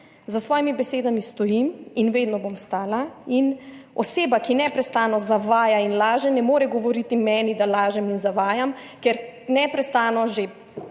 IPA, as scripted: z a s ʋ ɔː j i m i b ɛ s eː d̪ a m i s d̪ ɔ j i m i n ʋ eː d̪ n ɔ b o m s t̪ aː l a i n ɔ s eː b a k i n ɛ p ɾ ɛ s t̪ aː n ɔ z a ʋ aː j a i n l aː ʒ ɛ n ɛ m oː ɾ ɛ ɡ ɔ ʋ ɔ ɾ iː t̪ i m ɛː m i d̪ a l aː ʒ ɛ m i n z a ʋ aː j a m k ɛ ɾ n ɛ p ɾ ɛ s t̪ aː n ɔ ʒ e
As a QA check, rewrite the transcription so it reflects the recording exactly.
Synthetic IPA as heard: z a s ʋ ɔː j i m i b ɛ s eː d̪ a m i s t̪ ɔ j i m i n ʋ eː d̪ n ɔ b o m s t̪ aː l a i n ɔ s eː b a k i n ɛ p ɾ ɛ s t̪ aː n ɔ z a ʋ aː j a i n l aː ʒ ɛ n ɛ m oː ɾ ɛ ɡ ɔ ʋ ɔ ɾ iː t̪ i m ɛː n i d̪ a l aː ʒ ɛ m i n z a ʋ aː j a m k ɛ ɾ n ɛ p ɾ ɛ s t̪ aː n ɔ ʒ e